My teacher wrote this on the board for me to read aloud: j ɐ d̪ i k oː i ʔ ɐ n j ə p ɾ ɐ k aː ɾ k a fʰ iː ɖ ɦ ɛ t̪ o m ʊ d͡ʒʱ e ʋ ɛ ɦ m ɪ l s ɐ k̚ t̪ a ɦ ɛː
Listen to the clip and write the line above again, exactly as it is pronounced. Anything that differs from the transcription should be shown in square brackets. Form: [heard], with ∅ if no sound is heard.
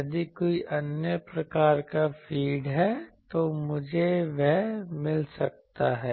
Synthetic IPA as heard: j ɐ d̪ i k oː i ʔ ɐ n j ə p ɾ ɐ k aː ɾ k a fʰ iː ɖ ɦ ɛ t̪ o m ʊ d͡ʒʱ e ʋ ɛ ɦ m ɪ l s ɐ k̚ t̪ a ɦ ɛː